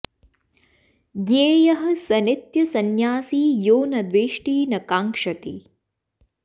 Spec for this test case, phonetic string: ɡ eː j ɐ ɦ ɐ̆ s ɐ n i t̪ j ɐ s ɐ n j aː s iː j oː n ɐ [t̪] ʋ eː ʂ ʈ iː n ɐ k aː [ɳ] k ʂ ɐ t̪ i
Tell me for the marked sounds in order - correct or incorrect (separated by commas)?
incorrect, incorrect